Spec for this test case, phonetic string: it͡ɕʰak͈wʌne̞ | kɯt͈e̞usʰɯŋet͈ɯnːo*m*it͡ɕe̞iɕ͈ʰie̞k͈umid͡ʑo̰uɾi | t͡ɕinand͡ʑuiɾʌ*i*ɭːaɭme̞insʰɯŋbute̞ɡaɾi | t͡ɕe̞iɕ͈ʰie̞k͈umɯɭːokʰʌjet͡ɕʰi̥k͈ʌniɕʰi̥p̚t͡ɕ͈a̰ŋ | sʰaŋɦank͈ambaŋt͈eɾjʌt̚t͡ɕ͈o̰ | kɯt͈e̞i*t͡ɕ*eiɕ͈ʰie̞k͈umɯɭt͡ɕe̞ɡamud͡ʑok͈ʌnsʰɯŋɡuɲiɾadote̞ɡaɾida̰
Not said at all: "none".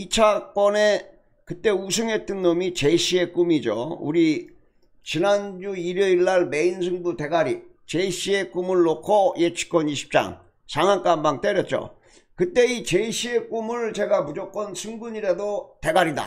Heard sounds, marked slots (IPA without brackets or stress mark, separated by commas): m, i, t͡ɕ